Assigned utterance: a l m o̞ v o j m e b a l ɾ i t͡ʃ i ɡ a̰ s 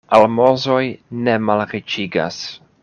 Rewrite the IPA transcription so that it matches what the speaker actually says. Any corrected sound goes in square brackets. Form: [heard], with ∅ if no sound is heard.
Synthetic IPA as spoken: a l m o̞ [z] o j [n] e [m] a l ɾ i t͡ʃ i ɡ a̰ s